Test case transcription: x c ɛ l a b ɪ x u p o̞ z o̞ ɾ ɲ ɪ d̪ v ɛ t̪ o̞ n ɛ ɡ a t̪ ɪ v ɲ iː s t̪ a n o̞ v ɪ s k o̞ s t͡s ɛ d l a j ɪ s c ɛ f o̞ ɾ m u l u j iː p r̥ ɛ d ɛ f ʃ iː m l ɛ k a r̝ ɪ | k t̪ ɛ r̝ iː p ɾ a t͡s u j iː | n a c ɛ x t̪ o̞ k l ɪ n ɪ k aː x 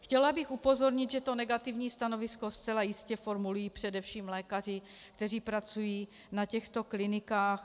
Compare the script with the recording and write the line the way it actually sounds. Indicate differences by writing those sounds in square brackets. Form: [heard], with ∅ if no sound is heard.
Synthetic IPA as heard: x c ɛ l a b ɪ x u p o̞ z o̞ ɾ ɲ ɪ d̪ [ʒ] ɛ t̪ o̞ n ɛ ɡ a t̪ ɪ v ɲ iː s t̪ a n o̞ v ɪ s k o̞ s t͡s ɛ [∅] l a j ɪ s c ɛ f o̞ ɾ m u l u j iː p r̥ ɛ d ɛ f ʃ iː m l [ɛː] k a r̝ ɪ | k t̪ ɛ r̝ iː p ɾ a t͡s u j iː | n a c ɛ x t̪ o̞ k l ɪ n ɪ k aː x

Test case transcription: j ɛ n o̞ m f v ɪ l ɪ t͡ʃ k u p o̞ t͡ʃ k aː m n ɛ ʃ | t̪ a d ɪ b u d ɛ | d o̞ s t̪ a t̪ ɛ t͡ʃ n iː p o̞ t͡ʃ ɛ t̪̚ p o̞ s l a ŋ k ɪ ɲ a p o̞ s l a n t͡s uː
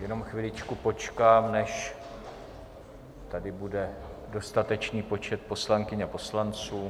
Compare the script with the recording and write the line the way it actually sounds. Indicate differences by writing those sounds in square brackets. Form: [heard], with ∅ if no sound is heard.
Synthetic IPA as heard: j ɛ n o̞ m [x] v ɪ l ɪ t͡ʃ k u p o̞ t͡ʃ k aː m n ɛ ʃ | t̪ a d ɪ b u d ɛ | d o̞ s t̪ a t̪ ɛ t͡ʃ n iː p o̞ t͡ʃ ɛ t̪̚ p o̞ s l a ŋ k ɪ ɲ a p o̞ s l a n t͡s uː

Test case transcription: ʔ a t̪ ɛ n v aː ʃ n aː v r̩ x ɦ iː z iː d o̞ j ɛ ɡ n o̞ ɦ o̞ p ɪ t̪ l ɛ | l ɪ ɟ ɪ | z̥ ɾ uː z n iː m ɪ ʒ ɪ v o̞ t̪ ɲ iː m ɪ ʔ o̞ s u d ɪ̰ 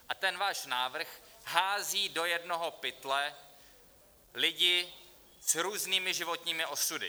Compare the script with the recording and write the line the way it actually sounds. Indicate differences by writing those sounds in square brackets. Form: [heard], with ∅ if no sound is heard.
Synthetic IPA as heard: ʔ a t̪ ɛ n v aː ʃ n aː v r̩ x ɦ [aː] z iː d o̞ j ɛ [d] n o̞ ɦ o̞ p ɪ t̪ l ɛ | l ɪ ɟ ɪ | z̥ ɾ uː z n iː m ɪ ʒ ɪ v o̞ t̪ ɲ iː m ɪ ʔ o̞ s u d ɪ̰

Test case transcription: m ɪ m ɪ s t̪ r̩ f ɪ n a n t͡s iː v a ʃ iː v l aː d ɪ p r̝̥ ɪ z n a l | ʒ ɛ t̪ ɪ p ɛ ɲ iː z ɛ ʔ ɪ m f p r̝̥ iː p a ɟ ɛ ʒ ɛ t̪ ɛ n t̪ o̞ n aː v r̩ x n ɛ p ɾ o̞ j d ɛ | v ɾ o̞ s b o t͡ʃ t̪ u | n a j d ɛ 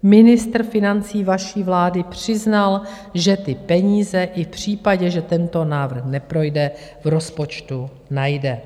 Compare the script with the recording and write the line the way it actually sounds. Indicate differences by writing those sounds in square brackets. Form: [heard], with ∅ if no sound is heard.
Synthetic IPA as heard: m ɪ [n] ɪ s t̪ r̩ f ɪ n a n t͡s iː v a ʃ iː v l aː d ɪ p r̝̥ ɪ z n a l | ʒ ɛ t̪ ɪ p ɛ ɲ iː z ɛ ʔ ɪ [∅] f p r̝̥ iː p a ɟ ɛ ʒ ɛ t̪ ɛ n t̪ o̞ n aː v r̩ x n ɛ p ɾ o̞ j d ɛ | v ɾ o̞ s [p] o t͡ʃ t̪ u | n a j d ɛ

